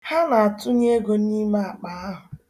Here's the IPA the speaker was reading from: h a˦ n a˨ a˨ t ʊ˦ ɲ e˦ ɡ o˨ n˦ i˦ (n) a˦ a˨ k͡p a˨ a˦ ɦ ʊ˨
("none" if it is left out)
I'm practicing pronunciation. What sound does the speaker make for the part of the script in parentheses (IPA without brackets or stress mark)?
m